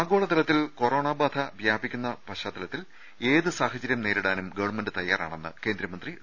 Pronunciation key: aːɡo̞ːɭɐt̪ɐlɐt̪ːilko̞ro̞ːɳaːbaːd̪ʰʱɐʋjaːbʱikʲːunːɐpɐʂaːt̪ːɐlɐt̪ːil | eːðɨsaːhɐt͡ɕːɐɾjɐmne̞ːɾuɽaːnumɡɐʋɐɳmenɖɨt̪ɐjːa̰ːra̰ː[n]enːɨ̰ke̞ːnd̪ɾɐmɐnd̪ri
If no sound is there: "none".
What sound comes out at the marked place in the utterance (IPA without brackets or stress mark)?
ɳ